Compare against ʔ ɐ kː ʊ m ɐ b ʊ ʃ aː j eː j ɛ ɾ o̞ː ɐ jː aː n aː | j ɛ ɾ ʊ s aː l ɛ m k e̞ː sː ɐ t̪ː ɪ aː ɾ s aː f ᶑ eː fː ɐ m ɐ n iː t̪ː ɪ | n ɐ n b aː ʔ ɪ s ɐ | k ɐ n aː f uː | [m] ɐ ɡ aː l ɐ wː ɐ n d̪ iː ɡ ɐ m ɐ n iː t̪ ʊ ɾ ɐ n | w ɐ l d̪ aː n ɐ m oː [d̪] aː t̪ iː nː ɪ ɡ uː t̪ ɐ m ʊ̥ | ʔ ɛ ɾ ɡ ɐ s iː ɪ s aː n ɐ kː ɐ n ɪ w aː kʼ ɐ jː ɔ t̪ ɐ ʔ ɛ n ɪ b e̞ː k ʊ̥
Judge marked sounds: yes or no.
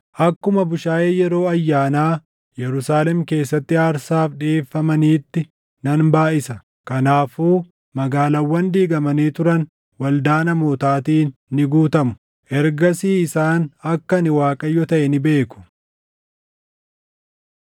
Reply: yes, no

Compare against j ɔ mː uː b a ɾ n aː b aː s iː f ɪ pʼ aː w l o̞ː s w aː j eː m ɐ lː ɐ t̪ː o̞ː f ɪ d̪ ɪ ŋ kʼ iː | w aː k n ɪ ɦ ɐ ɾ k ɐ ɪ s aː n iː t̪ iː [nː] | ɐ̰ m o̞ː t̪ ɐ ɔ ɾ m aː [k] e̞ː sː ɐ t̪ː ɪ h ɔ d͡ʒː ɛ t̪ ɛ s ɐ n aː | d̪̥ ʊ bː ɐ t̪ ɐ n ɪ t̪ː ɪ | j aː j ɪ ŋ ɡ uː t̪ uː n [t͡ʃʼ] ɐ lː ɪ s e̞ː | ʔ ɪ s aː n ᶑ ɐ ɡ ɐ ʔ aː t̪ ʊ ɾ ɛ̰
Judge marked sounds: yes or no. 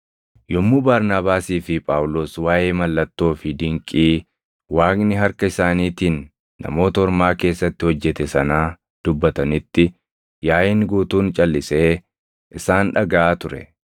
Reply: yes, yes, yes

